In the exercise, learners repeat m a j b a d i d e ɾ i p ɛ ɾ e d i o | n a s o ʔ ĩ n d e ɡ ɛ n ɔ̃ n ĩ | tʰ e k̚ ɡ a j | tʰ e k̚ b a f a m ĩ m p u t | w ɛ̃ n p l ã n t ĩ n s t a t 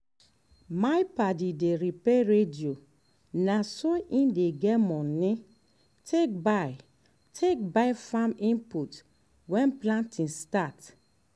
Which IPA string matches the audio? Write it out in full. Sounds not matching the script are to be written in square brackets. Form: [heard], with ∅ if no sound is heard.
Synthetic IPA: m a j [p] a d i d e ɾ i p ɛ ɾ e d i o | n a s o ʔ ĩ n d e ɡ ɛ [m] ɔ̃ n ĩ | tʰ e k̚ [b] a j | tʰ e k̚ b a f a m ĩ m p u t | w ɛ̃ n p l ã n t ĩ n s t a t